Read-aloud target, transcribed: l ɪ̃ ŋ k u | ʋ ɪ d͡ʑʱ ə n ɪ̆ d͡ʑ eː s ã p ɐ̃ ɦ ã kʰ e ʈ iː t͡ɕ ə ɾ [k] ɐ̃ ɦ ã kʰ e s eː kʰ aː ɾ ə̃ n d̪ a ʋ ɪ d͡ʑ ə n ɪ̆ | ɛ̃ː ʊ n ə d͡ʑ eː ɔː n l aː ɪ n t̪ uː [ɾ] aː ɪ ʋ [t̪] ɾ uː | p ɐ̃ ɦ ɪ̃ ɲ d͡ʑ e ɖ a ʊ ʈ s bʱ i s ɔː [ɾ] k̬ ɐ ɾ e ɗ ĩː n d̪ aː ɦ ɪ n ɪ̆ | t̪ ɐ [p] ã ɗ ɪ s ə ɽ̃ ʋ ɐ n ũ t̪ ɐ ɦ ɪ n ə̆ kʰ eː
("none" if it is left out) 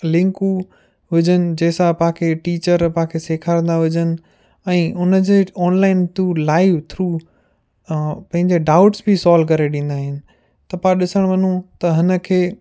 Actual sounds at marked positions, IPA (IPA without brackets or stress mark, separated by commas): p, l, t̪ʰ, l, p